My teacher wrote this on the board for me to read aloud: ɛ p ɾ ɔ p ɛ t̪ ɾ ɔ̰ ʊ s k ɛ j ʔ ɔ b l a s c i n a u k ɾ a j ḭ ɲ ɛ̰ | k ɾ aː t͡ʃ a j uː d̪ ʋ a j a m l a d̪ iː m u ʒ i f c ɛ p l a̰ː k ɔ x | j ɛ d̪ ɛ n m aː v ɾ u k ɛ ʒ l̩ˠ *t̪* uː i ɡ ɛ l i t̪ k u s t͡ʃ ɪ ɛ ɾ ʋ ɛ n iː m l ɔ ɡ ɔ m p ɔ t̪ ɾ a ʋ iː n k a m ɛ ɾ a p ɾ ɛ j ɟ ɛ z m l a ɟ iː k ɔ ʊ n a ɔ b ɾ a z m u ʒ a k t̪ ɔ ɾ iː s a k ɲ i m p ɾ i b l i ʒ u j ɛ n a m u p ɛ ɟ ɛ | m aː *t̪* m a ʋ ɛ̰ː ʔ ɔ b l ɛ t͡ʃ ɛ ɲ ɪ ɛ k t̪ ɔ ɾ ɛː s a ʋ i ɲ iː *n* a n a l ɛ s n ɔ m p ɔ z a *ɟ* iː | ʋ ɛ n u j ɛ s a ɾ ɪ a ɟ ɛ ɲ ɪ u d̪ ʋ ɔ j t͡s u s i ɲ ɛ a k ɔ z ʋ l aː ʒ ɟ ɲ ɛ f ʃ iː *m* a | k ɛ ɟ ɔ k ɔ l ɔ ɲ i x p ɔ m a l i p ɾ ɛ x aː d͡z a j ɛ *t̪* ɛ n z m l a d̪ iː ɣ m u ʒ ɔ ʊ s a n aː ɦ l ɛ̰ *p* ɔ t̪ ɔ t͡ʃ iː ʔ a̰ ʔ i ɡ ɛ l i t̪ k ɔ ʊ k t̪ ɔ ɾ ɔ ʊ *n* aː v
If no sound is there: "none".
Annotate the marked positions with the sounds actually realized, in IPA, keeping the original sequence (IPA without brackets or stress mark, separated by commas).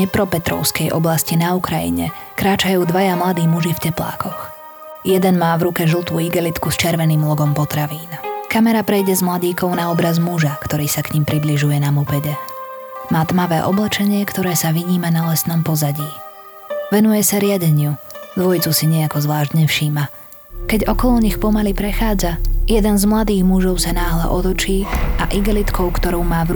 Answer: t̪, t̪, m, ɟ, m, d̪, ʔ, m